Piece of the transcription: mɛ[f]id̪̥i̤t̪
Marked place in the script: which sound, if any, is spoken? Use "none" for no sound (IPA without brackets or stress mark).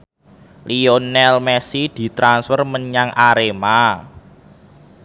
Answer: s